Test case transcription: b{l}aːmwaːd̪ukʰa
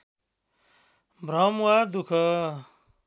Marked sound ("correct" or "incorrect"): incorrect